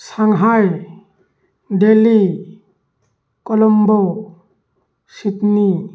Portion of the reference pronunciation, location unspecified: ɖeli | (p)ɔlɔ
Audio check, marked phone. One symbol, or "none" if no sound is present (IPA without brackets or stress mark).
k